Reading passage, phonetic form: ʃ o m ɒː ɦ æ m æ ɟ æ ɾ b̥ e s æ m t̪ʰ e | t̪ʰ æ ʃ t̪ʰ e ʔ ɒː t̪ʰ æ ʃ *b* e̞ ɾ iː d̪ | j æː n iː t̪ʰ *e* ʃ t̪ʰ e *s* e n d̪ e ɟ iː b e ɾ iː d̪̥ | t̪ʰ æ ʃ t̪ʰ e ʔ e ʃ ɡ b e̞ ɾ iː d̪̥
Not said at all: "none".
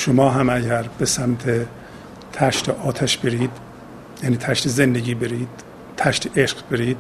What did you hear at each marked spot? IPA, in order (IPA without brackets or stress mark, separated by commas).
b, æ, z